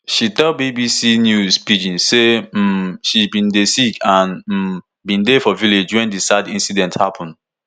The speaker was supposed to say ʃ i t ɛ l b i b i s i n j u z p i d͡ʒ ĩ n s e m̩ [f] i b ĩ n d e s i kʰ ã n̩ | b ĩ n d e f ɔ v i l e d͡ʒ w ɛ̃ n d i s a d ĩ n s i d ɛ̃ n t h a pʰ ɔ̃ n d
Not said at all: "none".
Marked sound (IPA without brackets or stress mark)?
ʃ